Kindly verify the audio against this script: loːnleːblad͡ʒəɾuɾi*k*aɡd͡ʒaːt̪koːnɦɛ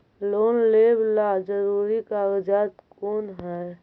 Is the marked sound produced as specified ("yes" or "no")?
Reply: yes